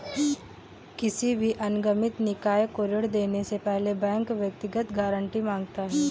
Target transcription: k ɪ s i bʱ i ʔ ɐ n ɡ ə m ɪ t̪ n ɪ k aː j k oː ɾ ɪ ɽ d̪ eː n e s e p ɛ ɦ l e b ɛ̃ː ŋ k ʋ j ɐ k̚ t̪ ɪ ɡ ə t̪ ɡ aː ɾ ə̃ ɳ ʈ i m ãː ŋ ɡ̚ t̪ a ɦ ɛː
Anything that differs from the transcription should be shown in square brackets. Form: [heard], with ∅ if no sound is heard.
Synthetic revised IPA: k ɪ s i bʱ i ʔ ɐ n ɡ ə m ɪ t̪ n ɪ k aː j k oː ɾ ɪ ɽ d̪ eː n e s e p ɛ ɦ l e b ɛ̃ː ŋ k ʋ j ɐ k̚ t̪ ɪ ɡ ə t̪ ɡ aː ɾ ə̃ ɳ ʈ i m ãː ŋ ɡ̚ t̪ a ɦ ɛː